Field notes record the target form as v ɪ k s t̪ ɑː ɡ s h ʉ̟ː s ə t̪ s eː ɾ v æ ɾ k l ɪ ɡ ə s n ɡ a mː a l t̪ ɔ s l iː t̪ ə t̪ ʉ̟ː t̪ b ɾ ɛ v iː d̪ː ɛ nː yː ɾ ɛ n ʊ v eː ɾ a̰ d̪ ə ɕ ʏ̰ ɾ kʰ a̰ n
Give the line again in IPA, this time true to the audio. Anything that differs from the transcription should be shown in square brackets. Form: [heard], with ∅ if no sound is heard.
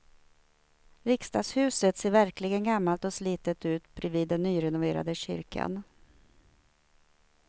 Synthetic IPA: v ɪ k s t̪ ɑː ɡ s h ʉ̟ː s ə t̪ s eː ɾ v æ ɾ k l ɪ ɡ ə [∅] n ɡ a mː a l t̪ ɔ s l iː t̪ ə t̪ ʉ̟ː t̪ b ɾ ɛ v iː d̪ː ɛ nː yː ɾ ɛ n ʊ v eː ɾ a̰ d̪ ə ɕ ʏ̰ ɾ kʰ a̰ n